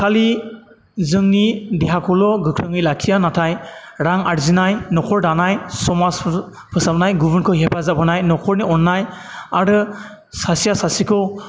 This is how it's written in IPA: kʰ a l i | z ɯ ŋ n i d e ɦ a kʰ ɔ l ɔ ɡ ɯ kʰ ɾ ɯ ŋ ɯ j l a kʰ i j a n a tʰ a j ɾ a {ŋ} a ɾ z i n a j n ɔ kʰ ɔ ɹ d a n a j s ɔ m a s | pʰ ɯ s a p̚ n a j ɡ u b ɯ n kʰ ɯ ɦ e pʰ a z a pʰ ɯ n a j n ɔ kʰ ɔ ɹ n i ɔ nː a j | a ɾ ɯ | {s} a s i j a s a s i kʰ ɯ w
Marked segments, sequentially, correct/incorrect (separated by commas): correct, correct